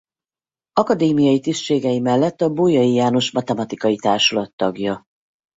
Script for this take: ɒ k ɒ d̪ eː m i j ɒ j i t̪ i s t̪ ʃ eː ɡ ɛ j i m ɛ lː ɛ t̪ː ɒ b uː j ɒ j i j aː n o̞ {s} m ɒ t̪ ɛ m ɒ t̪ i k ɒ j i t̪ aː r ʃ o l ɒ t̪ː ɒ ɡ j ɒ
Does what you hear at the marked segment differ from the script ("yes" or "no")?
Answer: yes